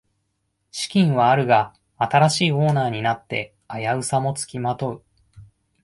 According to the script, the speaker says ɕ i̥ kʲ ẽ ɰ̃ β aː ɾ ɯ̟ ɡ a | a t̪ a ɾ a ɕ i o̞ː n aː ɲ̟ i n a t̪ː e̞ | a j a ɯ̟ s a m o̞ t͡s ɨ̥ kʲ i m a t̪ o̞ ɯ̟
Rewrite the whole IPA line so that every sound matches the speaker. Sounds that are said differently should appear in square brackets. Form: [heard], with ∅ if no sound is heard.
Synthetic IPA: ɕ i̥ kʲ [ĩ] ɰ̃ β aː ɾ ɯ̟ ɡ a | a t̪ a ɾ a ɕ [iː] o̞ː n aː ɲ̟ i n a t̪ː e̞ | a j a ɯ̟ s a m o̞ t͡s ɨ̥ kʲ i m a t̪ o̞ ɯ̟